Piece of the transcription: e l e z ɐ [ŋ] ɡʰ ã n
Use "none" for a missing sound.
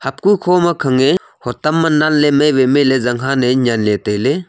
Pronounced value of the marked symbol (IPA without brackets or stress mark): ŋ